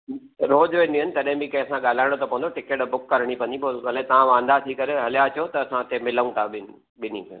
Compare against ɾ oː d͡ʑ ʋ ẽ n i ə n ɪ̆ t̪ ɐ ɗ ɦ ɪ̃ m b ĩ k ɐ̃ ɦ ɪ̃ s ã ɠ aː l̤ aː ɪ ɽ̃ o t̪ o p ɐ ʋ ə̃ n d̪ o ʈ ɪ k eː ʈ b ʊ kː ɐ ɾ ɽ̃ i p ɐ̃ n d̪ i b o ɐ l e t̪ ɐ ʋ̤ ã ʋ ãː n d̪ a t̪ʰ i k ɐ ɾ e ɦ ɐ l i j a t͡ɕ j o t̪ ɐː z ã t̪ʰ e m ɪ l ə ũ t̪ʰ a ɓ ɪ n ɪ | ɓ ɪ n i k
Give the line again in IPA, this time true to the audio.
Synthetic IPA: ɾ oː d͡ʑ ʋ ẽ n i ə n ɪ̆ t̪ ɐ ɗ ɦ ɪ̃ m b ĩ k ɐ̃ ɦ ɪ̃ s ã ɠ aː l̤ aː ɪ ɽ̃ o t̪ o p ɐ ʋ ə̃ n d̪ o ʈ ɪ k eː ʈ b ʊ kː ɐ ɾ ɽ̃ i p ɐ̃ n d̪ i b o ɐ l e t̪ ɐ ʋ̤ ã ʋ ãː n d̪ a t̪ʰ i k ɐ ɾ e ɦ ɐ l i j a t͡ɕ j o t̪ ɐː s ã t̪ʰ e m ɪ l ə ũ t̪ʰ a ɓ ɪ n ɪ | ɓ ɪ n i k